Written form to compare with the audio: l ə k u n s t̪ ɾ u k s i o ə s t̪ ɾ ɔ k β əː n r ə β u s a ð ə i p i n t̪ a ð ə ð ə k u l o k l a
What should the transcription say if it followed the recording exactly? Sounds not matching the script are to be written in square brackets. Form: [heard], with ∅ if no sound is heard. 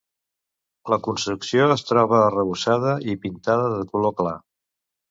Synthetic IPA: l ə k u n s t̪ ɾ u k s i o ə s t̪ ɾ ɔ [∅] β əː [∅] r ə β u s a ð ə i p i n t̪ a ð ə ð ə k u l o k l a